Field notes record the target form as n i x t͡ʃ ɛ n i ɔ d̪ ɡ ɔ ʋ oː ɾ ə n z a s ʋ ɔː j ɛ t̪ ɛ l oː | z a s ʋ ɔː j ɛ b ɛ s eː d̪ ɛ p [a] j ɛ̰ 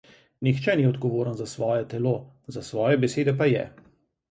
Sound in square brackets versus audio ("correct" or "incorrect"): correct